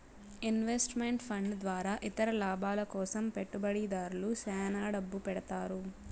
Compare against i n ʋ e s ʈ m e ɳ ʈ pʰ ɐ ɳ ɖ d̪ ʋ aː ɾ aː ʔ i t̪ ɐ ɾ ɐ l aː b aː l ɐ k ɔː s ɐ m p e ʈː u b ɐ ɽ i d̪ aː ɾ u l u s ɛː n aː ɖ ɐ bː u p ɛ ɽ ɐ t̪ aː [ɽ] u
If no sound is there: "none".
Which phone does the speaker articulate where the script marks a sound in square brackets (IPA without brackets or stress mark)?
ɾ